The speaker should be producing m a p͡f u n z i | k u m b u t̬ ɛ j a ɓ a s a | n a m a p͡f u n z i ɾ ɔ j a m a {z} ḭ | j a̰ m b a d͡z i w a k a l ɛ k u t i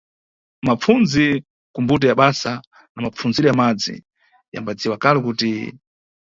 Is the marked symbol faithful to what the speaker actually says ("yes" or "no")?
no